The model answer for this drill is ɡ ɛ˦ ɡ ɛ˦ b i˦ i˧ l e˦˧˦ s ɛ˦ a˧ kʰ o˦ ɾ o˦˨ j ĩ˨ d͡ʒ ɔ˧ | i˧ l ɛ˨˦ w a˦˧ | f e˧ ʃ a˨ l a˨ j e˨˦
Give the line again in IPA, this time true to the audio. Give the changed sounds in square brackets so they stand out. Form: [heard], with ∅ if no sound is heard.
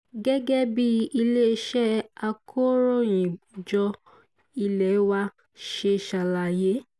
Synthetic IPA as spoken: ɡ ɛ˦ ɡ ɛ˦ b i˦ i˧ l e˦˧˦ [ʃ] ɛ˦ a˧ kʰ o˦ ɾ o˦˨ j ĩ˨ d͡ʒ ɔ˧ | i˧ l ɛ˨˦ w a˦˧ | [ʃ] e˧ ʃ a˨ l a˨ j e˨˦